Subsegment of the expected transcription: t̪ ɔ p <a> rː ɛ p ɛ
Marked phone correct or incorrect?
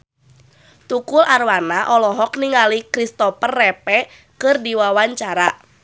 incorrect